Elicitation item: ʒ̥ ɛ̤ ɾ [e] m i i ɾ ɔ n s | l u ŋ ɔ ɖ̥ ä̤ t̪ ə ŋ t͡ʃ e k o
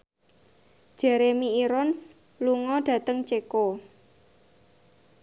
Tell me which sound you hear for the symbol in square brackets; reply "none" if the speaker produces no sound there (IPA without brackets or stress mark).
e